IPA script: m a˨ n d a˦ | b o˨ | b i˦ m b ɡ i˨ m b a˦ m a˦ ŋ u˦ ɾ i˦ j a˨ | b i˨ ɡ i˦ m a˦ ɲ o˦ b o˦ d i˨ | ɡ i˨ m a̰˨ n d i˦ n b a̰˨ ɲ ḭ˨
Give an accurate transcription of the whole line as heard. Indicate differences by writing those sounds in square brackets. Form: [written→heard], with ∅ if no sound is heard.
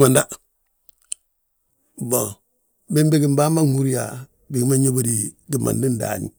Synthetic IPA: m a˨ n d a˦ | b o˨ | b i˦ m b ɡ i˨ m b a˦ m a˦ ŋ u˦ ɾ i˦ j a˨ | b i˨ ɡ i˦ m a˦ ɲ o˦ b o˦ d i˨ | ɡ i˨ m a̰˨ n d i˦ n [b→d] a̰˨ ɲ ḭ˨